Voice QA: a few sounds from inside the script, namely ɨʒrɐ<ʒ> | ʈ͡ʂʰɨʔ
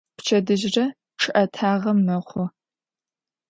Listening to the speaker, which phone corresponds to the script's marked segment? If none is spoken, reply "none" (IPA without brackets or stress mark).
none